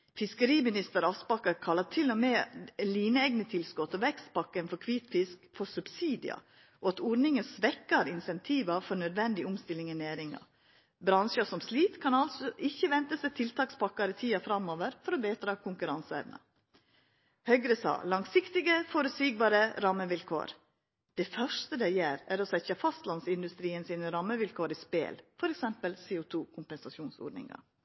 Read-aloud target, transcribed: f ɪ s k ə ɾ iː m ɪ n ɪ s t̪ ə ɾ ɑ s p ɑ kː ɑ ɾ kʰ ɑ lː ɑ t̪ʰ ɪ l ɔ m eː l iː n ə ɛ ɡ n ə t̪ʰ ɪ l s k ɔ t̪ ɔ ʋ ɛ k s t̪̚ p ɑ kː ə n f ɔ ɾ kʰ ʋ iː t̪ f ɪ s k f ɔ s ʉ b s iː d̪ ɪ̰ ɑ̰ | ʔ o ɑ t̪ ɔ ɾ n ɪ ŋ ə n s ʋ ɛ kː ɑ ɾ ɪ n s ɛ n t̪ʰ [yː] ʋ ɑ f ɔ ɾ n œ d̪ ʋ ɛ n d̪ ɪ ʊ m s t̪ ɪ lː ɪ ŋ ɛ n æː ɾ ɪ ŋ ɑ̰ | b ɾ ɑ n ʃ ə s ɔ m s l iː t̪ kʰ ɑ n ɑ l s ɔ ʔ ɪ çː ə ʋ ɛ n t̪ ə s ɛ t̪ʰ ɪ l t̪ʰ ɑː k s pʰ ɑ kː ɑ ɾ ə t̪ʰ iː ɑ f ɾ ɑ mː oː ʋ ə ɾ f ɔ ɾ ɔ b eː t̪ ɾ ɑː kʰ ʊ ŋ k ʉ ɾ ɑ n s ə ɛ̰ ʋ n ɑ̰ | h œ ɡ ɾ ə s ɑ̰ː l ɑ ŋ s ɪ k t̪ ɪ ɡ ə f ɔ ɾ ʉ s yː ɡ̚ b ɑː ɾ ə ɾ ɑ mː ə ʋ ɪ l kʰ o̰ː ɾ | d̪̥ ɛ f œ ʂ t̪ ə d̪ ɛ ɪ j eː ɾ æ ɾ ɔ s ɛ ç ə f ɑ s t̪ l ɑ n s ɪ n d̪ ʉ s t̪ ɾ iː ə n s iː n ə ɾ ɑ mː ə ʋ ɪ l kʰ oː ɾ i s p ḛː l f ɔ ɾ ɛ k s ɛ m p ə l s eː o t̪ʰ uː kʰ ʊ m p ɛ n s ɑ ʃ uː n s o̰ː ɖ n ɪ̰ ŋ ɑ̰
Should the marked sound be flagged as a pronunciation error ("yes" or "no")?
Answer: yes